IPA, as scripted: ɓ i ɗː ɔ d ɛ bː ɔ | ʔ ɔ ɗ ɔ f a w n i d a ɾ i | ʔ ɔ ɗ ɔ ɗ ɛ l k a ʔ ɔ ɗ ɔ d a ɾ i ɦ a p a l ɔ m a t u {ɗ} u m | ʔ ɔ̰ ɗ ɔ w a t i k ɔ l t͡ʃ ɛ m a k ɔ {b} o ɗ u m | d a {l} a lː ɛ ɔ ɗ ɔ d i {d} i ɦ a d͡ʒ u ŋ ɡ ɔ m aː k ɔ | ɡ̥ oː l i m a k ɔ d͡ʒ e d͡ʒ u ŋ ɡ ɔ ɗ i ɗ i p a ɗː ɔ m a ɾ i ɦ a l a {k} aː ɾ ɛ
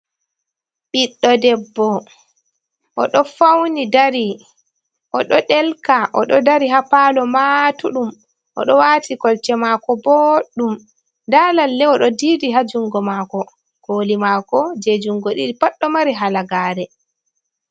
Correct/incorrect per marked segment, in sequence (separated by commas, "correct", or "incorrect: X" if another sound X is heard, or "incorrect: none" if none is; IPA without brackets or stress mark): correct, correct, correct, correct, incorrect: ɡ